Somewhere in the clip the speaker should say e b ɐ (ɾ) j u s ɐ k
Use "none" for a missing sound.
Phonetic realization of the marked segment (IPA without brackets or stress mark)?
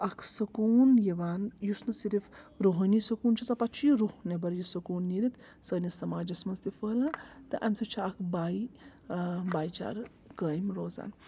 ɾ